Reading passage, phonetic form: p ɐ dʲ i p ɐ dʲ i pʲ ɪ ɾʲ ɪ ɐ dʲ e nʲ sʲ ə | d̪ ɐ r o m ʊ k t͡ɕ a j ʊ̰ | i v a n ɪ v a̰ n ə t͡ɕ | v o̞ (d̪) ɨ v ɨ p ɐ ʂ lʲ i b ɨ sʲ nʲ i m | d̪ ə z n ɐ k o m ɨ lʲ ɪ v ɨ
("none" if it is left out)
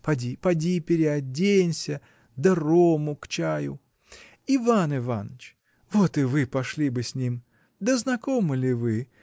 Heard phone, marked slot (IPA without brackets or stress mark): t̪